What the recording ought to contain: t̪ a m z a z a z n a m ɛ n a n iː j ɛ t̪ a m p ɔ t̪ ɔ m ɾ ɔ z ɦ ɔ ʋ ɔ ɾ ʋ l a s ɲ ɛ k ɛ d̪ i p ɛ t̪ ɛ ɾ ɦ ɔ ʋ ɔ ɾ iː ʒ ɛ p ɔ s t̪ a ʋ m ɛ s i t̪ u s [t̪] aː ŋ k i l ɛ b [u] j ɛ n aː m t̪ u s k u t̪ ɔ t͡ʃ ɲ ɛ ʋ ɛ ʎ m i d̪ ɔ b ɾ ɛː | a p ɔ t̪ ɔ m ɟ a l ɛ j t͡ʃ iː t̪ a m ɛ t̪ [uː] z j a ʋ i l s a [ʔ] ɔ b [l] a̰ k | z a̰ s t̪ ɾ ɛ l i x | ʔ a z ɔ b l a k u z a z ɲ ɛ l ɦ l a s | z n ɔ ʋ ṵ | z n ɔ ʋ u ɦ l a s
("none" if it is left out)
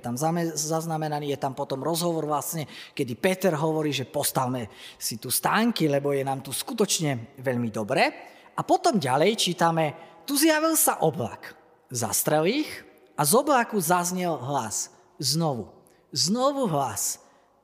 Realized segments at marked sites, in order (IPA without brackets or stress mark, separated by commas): t̪, ɔ, u, ʔ, l